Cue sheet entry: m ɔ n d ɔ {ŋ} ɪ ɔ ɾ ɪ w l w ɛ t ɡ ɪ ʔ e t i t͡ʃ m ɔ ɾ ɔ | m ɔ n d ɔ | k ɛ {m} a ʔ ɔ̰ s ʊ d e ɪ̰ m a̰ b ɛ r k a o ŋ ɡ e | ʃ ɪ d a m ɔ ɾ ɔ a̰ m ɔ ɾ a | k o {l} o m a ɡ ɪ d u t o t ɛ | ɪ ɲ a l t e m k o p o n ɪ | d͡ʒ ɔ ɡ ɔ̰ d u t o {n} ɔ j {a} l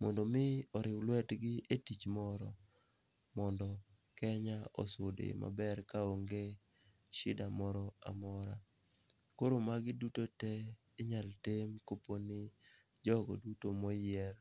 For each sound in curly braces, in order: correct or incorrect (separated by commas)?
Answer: incorrect, incorrect, incorrect, incorrect, incorrect